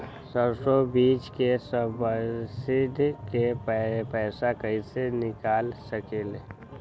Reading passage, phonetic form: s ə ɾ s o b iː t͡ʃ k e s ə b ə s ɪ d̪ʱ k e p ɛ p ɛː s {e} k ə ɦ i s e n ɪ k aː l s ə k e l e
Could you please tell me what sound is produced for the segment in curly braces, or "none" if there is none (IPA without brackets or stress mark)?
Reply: a